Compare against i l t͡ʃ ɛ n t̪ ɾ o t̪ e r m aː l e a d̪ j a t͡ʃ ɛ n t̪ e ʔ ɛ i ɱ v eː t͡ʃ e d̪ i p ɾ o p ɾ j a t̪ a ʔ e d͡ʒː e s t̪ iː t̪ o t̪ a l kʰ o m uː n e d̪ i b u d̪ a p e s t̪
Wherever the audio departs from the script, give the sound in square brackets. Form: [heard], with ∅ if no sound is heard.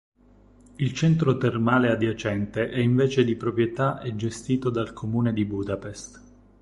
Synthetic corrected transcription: i l t͡ʃ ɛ n t̪ ɾ o t̪ e r m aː l e a d̪ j a t͡ʃ ɛ n t̪ e ʔ ɛ i ɱ v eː t͡ʃ e d̪ i p ɾ o p ɾ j [e] t̪ a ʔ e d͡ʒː e s t̪ iː t̪ o [d̪] a l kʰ o m uː n e d̪ i b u d̪ a p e s t̪